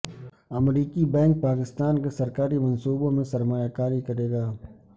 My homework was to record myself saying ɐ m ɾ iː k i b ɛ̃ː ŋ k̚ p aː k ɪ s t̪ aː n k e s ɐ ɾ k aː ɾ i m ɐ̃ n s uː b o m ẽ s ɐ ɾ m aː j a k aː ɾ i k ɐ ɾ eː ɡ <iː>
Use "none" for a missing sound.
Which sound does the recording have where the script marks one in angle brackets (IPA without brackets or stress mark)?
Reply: aː